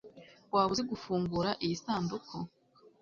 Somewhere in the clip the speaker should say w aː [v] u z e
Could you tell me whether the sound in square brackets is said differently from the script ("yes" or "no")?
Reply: yes